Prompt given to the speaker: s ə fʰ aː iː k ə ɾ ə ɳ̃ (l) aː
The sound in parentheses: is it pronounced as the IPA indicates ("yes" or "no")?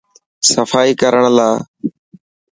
yes